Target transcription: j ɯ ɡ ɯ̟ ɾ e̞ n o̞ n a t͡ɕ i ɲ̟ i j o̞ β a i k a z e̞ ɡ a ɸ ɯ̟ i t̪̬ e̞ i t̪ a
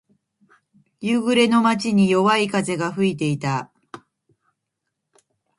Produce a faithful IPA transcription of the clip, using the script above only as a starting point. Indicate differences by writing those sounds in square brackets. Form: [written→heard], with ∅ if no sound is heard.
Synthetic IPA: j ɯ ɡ ɯ̟ ɾ e̞ n o̞ [n→m] a t͡ɕ i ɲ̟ i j o̞ β a i k a z e̞ ɡ a ɸ ɯ̟ i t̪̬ e̞ i t̪ a